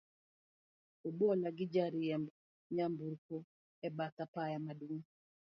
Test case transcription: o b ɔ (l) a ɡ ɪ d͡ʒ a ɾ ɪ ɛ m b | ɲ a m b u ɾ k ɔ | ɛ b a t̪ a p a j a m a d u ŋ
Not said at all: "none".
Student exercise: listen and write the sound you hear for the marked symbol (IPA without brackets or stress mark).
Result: l